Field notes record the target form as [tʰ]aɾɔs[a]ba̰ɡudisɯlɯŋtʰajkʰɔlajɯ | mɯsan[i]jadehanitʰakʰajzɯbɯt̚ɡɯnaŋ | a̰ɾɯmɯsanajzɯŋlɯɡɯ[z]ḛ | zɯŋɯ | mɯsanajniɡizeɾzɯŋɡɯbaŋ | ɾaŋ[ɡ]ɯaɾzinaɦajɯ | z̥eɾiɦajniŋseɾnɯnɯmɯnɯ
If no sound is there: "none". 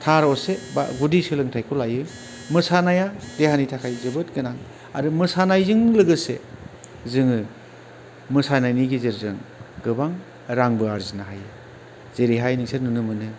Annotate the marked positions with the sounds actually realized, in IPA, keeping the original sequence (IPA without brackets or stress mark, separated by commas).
tʰ, e, a, s, b